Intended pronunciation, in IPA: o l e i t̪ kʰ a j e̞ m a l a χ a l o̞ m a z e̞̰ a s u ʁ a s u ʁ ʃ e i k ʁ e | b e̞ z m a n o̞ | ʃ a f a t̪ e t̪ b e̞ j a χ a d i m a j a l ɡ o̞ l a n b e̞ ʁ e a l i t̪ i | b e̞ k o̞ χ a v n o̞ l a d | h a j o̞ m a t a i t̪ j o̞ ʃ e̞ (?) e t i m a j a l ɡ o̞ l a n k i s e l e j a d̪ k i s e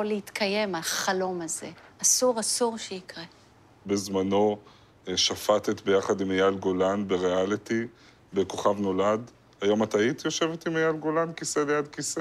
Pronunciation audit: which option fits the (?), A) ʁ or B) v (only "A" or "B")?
B